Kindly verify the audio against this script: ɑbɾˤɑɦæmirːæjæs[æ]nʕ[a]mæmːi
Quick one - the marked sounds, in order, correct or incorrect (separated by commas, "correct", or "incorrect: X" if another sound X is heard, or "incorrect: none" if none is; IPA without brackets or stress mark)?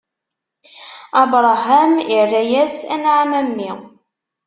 correct, correct